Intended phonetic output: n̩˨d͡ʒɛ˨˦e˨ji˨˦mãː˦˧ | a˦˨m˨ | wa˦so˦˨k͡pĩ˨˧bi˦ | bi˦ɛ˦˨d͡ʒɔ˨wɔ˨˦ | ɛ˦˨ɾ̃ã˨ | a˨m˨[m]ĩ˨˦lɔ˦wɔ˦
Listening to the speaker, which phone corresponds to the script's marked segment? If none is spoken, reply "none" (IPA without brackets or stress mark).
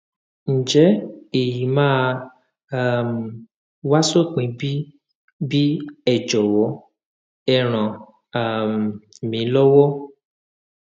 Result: m